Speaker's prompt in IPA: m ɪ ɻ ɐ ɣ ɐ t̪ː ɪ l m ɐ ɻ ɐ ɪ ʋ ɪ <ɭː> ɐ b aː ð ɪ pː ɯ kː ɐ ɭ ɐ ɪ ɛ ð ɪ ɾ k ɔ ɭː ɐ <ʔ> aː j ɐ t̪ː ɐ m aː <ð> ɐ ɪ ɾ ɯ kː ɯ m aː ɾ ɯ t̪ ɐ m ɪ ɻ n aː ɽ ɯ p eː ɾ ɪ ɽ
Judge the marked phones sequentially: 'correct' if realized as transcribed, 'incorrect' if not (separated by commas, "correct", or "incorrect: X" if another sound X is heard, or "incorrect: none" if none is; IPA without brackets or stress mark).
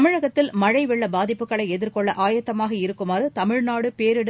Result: correct, correct, incorrect: ɣ